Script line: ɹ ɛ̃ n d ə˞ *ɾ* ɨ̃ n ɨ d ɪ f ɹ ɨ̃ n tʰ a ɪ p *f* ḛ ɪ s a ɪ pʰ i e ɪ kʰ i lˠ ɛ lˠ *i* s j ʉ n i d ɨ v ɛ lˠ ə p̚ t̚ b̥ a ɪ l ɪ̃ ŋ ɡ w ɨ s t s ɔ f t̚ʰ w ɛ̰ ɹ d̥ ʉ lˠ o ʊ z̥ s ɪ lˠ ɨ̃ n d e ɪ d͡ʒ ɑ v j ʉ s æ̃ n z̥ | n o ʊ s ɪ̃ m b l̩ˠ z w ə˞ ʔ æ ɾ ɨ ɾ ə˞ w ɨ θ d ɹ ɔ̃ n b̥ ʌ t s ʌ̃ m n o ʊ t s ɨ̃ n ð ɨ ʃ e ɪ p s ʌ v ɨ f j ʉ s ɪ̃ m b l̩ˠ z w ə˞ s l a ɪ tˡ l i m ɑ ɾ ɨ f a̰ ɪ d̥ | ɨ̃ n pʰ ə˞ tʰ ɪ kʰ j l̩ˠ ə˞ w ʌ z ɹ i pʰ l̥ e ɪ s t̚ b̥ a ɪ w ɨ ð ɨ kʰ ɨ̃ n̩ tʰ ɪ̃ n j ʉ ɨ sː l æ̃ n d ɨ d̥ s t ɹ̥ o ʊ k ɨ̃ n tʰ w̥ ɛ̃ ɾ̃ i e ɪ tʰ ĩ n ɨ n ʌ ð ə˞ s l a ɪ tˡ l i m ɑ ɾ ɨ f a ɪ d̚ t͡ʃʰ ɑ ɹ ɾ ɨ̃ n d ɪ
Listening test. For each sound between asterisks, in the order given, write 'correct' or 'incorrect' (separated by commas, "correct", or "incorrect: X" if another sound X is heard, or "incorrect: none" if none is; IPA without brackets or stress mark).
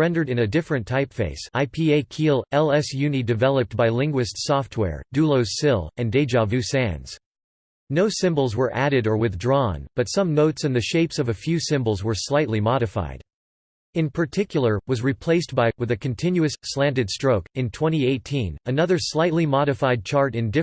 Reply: correct, correct, incorrect: ɛ